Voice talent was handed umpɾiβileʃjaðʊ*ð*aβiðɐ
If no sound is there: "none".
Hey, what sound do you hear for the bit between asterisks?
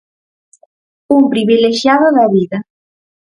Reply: ð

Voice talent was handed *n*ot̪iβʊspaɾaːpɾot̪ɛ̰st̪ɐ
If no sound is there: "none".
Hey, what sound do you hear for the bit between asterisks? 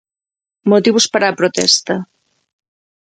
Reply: m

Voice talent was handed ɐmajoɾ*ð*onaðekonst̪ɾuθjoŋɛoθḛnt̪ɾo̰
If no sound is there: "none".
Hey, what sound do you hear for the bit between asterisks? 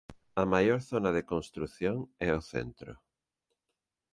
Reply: θ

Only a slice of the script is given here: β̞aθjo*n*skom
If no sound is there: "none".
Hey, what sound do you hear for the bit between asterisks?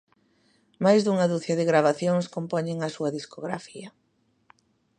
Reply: ŋ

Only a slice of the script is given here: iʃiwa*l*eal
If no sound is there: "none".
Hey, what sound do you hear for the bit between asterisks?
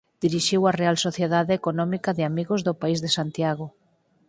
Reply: r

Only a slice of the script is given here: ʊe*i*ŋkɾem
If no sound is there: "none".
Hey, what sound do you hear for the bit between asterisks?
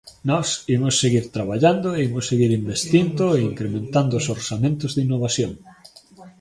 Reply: i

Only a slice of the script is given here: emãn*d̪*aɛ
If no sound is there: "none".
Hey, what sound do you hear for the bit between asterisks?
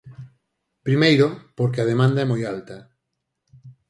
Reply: d̪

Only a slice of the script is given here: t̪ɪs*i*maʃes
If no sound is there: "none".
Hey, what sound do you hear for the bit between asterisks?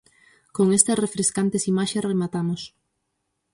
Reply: i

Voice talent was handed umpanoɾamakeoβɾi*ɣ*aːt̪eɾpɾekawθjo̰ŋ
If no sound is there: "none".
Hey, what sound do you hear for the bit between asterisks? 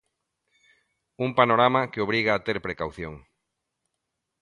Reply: ɣ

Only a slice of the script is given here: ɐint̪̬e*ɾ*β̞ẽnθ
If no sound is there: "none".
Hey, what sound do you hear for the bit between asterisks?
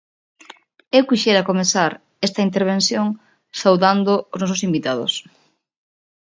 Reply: ɾ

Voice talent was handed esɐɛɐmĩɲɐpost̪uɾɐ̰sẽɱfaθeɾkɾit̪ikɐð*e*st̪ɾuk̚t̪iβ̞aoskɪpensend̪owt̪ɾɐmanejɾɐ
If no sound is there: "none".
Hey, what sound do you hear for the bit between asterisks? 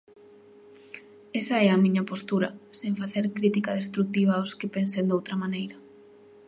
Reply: e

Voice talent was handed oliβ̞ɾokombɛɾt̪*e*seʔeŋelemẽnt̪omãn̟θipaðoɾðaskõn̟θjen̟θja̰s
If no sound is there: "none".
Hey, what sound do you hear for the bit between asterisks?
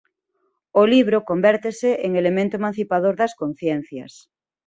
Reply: e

